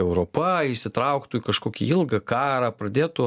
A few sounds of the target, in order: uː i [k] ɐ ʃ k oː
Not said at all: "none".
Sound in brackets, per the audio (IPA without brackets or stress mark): k